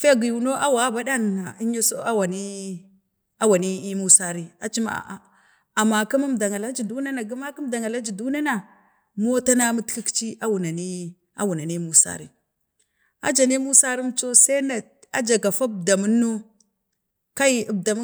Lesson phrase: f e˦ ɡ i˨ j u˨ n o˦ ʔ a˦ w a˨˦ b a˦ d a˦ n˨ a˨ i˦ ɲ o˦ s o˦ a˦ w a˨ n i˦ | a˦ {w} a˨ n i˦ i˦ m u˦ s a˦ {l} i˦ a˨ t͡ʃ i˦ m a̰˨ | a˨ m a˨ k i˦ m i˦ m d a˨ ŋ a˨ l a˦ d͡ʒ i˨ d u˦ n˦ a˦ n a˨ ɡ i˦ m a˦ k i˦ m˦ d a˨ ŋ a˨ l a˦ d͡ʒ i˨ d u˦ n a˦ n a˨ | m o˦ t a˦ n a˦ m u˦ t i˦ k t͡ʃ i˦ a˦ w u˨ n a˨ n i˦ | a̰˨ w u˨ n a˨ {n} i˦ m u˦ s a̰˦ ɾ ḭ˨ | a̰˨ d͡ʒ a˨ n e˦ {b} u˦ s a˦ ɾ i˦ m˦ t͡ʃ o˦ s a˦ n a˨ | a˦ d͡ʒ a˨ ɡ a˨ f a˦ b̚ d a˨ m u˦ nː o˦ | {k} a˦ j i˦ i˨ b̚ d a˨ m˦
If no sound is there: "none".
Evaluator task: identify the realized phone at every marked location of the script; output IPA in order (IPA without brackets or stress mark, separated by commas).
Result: w, ɾ, n, m, k